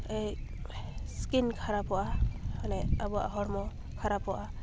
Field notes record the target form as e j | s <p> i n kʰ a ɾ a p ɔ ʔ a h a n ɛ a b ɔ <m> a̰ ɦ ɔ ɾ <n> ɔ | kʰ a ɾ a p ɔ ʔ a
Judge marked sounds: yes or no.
no, no, no

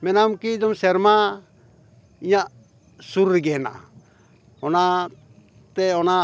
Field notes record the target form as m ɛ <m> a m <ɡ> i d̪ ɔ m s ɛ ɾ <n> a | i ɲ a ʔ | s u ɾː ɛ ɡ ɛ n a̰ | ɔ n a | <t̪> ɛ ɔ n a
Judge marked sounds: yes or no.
no, no, no, yes

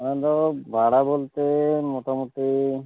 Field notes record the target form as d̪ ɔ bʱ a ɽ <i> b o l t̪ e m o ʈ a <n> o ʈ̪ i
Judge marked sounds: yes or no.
no, no

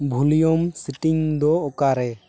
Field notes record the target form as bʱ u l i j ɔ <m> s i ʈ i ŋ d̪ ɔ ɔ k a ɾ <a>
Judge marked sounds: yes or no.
yes, no

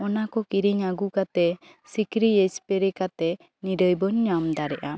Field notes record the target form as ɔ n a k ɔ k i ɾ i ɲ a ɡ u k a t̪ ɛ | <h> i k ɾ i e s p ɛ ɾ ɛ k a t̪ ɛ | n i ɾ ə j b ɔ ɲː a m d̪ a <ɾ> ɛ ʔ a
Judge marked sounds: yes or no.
no, yes

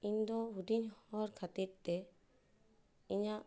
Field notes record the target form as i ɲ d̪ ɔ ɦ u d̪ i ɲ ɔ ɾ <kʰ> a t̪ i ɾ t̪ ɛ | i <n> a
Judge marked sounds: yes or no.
yes, no

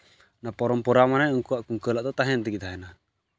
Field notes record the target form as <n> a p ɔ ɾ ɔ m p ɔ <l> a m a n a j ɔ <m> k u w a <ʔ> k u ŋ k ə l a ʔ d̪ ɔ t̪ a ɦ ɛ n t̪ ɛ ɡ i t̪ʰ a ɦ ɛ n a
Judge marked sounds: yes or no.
yes, no, no, yes

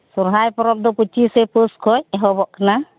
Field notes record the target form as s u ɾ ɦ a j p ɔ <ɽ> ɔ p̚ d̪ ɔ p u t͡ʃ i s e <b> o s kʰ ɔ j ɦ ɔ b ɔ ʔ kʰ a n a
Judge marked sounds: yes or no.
no, no

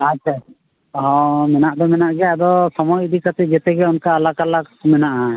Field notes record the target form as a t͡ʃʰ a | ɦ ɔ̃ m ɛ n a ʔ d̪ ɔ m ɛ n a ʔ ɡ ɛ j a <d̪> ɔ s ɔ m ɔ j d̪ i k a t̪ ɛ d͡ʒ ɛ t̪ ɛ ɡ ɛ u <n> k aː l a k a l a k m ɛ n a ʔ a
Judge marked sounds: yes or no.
yes, yes

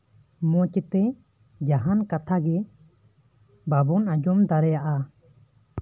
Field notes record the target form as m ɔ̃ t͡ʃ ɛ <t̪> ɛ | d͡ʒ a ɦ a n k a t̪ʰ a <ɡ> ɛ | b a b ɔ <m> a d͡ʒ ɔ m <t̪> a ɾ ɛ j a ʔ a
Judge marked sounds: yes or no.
yes, yes, no, no

